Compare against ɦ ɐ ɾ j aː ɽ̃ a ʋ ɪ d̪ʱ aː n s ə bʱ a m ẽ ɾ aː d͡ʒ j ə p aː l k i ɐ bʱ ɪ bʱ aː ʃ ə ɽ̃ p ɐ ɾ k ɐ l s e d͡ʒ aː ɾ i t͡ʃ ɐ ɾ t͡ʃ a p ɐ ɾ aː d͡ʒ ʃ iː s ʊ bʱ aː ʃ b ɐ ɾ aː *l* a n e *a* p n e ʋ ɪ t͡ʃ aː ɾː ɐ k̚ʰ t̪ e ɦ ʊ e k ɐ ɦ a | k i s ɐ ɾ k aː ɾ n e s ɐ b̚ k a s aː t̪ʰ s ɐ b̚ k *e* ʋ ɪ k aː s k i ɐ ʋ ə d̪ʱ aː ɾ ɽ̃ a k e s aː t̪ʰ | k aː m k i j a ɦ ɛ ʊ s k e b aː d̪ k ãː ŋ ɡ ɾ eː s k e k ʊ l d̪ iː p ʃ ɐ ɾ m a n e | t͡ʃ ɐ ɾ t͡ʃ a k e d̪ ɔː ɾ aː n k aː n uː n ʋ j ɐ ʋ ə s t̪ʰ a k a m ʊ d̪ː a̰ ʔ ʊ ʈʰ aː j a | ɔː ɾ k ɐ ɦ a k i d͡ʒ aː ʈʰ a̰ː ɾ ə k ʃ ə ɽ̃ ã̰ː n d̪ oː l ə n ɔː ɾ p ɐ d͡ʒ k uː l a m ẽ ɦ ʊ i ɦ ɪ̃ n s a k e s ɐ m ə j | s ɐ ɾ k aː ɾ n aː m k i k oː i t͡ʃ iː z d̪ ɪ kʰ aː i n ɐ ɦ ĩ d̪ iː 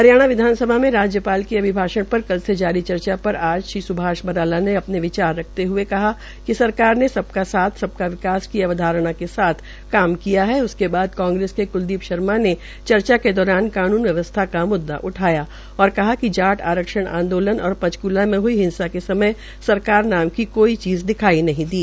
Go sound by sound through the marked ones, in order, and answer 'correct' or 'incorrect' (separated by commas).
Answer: correct, incorrect, incorrect